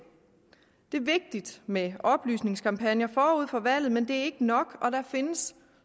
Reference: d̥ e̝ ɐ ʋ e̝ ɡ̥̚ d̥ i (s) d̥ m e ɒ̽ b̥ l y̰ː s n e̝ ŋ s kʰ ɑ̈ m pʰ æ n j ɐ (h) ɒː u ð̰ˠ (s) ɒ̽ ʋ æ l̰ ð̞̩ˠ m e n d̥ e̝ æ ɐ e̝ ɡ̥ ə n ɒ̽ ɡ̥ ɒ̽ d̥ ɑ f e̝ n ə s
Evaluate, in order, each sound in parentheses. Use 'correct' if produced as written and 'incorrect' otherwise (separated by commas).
incorrect, incorrect, incorrect